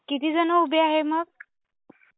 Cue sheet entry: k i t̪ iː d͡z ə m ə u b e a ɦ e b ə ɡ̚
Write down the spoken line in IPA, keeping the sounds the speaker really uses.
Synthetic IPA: k i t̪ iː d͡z ə n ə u b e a ɦ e m ə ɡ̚